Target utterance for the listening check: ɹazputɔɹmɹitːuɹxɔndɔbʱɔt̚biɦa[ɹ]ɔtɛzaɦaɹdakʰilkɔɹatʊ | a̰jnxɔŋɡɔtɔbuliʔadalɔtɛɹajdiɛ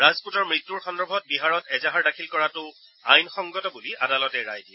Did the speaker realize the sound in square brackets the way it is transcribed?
yes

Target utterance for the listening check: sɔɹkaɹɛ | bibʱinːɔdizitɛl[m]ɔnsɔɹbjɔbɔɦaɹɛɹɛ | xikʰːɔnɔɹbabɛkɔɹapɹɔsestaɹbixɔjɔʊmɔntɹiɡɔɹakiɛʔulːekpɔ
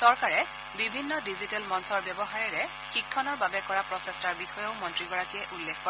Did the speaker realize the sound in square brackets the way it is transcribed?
yes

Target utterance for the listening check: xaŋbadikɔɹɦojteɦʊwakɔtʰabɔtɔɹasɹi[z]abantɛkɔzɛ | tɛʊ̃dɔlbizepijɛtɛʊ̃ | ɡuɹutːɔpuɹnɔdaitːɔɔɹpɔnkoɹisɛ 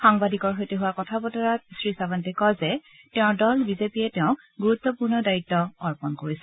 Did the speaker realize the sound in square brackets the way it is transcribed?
no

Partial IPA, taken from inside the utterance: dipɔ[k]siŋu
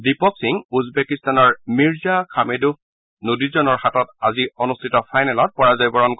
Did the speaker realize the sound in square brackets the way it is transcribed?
yes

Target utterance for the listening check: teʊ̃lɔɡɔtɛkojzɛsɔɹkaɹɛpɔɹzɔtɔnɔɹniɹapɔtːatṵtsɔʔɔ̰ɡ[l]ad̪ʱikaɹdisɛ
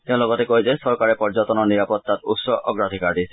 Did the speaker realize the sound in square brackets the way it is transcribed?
no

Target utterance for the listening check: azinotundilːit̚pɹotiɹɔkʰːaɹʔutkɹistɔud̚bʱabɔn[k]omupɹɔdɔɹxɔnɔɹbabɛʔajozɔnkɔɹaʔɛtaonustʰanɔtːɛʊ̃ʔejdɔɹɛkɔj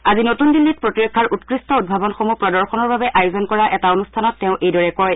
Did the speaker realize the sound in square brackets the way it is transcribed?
no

